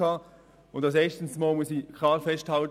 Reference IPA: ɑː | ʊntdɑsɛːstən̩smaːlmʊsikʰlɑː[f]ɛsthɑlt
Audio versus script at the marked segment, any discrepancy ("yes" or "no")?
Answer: no